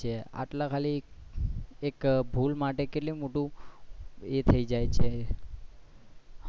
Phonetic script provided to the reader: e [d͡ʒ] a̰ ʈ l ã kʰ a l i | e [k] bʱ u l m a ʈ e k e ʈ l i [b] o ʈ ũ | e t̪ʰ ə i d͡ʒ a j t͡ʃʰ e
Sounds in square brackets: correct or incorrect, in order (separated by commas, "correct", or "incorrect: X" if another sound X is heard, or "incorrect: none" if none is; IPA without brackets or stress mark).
incorrect: none, correct, incorrect: m